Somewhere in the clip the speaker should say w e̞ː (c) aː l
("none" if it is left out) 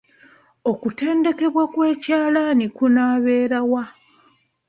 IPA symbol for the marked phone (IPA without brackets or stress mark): c